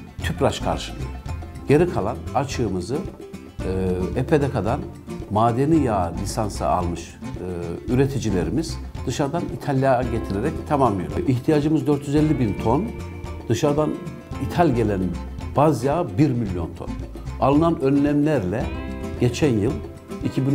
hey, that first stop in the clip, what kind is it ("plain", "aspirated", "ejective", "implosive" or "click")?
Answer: aspirated